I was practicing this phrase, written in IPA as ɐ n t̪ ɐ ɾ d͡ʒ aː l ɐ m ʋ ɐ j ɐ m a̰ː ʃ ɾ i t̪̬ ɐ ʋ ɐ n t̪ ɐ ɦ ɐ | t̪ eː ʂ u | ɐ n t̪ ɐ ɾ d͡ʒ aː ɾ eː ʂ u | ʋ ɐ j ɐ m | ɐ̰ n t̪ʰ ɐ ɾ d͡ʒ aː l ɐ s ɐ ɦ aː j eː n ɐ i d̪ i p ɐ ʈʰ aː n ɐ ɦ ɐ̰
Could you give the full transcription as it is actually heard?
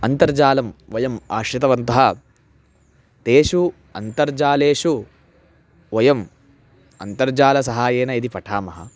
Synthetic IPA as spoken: ɐ n t̪ ɐ ɾ d͡ʒ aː l ɐ m ʋ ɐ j ɐ m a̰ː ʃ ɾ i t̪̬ ɐ ʋ ɐ n t̪ ɐ ɦ ɐ | t̪ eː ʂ u | ɐ n t̪ ɐ ɾ d͡ʒ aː l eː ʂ u | ʋ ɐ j ɐ m | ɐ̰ n t̪ ɐ ɾ d͡ʒ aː l ɐ s ɐ ɦ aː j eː n ɐ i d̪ i p ɐ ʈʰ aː m ɐ ɦ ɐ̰